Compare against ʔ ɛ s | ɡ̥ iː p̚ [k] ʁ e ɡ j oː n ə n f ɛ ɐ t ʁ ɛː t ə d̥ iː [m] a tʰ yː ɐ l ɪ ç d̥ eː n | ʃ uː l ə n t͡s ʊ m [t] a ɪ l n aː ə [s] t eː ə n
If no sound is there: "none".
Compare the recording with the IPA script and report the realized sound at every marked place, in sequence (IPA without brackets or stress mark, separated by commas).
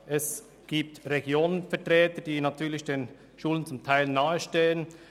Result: t, n, tʰ, ʃ